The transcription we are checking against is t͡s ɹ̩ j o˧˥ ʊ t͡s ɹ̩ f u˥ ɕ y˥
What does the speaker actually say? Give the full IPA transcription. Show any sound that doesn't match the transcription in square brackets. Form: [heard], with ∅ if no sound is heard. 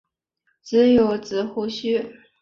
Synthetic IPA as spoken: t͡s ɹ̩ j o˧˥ ʊ t͡s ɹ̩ [x] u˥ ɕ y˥